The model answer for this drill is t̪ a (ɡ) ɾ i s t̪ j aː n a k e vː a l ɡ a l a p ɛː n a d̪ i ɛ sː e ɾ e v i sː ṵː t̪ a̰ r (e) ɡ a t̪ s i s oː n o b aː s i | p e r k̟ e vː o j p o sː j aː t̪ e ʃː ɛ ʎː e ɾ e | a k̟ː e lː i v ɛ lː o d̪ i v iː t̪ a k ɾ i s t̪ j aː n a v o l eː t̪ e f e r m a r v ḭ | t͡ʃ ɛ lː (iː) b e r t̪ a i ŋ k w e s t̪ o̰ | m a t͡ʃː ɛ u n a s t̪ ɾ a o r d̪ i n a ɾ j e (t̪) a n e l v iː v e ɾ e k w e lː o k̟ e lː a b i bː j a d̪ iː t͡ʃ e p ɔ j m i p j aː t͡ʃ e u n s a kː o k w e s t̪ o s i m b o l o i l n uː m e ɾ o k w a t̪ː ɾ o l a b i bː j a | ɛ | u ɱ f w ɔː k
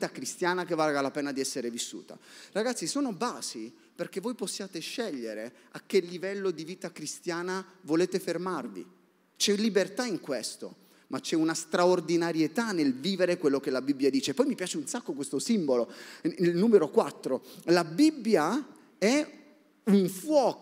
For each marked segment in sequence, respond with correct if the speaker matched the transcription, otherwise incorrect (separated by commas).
incorrect, incorrect, incorrect, correct